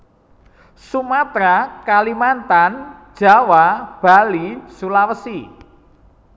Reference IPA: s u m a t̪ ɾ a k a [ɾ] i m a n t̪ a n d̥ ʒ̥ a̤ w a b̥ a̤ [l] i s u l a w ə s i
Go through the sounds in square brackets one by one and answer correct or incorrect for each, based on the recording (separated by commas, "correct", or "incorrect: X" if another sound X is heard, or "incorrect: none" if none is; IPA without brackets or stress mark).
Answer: incorrect: l, correct